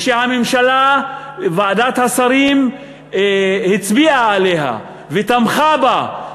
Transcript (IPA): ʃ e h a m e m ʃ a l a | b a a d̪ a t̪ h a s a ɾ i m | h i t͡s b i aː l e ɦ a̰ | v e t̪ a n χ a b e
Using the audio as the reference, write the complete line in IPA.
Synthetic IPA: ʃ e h a m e m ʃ a l a | v a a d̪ a t̪ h a s a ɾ i m | h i t͡s b i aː l e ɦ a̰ | v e t̪ a m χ a b a